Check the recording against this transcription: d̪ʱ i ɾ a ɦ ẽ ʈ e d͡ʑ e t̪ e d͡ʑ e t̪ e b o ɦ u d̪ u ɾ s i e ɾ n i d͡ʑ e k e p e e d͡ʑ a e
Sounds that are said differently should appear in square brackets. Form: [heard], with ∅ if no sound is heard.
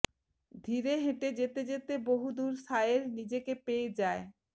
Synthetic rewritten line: d̪ʱ i ɾ [e] ɦ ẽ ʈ e d͡ʑ e t̪ e d͡ʑ e t̪ e b o ɦ u d̪ u ɾ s [a] e ɾ n i d͡ʑ e k e p e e d͡ʑ a e